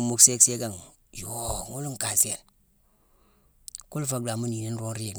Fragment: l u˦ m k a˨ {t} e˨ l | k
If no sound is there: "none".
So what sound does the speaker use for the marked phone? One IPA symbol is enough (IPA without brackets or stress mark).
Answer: s